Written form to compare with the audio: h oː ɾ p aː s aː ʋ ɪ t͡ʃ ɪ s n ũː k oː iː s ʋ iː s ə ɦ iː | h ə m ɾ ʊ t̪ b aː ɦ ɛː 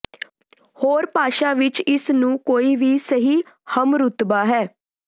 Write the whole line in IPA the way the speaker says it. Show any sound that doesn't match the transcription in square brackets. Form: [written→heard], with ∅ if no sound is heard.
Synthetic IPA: h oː ɾ p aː [s→ʃ] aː ʋ ɪ t͡ʃ ɪ s n ũː k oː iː [s→∅] ʋ iː s ə ɦ iː | h ə m ɾ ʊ t̪ b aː ɦ ɛː